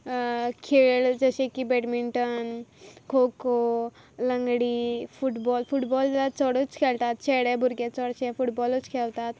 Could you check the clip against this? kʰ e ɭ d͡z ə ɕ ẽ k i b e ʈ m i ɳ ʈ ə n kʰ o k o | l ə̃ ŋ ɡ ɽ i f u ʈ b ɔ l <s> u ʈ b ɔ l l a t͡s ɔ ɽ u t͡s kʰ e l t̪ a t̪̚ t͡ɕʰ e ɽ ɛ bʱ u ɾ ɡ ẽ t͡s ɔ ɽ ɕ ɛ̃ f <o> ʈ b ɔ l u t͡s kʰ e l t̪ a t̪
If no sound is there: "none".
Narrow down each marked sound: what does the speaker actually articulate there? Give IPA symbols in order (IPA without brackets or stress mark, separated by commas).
f, u